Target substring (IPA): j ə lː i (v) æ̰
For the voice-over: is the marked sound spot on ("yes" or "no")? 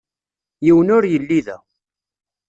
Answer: no